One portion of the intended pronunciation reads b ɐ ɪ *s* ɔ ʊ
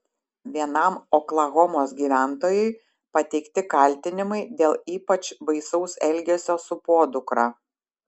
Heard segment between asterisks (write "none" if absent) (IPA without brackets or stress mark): s